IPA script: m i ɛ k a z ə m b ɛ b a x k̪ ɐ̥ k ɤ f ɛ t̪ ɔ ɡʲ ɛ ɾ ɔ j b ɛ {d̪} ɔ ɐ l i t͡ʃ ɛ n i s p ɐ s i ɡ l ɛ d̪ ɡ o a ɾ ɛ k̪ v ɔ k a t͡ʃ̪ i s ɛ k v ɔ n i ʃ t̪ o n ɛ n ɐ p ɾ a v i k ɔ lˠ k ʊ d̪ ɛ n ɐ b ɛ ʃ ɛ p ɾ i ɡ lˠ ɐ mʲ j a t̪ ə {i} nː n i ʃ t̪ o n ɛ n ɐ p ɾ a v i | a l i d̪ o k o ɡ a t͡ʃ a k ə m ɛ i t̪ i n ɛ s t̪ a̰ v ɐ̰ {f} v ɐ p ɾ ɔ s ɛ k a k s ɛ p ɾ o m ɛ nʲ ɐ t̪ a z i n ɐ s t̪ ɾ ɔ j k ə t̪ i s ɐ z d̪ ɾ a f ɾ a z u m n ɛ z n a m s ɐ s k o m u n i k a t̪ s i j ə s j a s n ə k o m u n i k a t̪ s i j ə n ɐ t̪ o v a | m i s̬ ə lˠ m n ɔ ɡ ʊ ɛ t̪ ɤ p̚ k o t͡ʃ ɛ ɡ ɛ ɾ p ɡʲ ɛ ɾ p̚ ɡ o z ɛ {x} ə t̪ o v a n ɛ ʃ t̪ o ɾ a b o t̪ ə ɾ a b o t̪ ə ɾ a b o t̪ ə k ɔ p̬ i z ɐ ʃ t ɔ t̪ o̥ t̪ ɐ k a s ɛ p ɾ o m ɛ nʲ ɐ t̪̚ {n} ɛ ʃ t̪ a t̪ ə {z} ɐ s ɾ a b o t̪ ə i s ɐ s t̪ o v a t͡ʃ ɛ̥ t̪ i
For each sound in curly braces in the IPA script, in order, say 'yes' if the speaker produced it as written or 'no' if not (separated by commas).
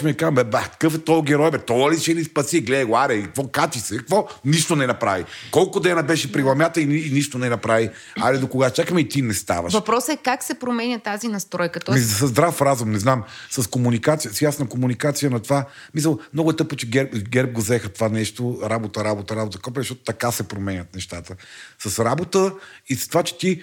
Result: no, yes, no, yes, yes, no